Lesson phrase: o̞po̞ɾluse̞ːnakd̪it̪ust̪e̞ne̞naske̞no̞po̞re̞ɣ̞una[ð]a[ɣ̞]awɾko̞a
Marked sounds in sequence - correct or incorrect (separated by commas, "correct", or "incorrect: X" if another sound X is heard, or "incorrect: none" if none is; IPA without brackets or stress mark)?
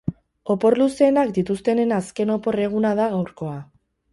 correct, correct